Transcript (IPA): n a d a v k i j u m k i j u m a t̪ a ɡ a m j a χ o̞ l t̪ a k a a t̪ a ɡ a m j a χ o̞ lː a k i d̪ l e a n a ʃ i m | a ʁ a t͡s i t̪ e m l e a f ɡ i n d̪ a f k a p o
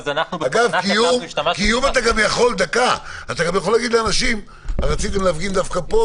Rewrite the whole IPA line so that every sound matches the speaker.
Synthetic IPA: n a ɡ a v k i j u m k i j u m a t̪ a ɡ a m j a χ o̞ l d̪ a k a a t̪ a ɡ a m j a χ o̞ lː a ɡ i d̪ l e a n a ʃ i m | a ʁ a t͡s i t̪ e m l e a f ɡ i n d̪ a f k a p o